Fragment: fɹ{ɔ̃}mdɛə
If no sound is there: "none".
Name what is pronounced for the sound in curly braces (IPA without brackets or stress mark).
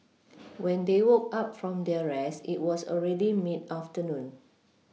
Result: ɔ̃